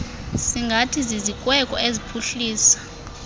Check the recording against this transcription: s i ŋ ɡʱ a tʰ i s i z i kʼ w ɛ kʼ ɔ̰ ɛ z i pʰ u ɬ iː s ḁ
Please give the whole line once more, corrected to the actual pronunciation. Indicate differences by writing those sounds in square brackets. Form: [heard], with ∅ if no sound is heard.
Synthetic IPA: s i ŋ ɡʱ a tʰ i [z] i z i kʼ w ɛ kʼ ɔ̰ [e] z i pʰ u ɬ iː s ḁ